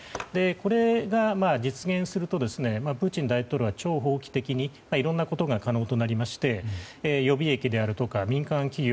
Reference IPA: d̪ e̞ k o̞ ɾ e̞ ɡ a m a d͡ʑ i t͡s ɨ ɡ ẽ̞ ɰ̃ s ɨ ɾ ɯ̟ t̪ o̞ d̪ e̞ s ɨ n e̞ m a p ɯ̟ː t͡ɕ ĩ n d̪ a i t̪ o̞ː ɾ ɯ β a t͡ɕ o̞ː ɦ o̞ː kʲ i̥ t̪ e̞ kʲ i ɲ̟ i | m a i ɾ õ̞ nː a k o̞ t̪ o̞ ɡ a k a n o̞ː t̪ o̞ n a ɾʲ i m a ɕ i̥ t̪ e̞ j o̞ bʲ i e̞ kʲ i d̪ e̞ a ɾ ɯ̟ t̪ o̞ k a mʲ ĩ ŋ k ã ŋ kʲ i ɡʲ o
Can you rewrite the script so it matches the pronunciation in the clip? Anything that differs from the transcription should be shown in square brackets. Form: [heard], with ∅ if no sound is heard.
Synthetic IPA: d̪ e̞ k o̞ ɾ e̞ ɡ a m a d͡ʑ i t͡s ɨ ɡ ẽ̞ ɰ̃ s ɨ ɾ ɯ̟ t̪ o̞ d̪ e̞ s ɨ n e̞ m a p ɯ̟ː t͡ɕ ĩ n d̪ a i t̪ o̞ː ɾ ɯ β a t͡ɕ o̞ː ɦ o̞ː kʲ i̥ t̪ e̞ kʲ i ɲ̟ i | m a i ɾ õ̞ nː a k o̞ t̪ o̞ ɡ a k a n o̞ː t̪ o̞ n a ɾʲ i m a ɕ i̥ t̪ e̞ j o̞ bʲ i e̞ kʲ i d̪ e̞ a ɾ ɯ̟ t̪ o̞ k a mʲ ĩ ŋ k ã ŋ kʲ i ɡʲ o